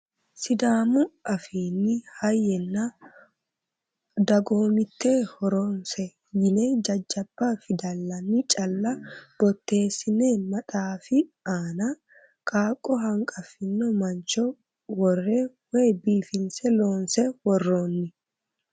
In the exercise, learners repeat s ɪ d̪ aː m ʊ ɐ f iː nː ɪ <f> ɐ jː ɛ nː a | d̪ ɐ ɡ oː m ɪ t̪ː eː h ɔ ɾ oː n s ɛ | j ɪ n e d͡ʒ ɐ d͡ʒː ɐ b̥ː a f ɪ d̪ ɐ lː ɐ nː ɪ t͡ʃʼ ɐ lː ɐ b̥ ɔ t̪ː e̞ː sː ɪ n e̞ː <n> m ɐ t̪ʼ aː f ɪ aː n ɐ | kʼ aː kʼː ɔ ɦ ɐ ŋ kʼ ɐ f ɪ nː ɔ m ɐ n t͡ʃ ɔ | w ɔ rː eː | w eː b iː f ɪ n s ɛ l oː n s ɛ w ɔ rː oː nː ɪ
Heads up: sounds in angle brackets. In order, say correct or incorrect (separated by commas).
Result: incorrect, correct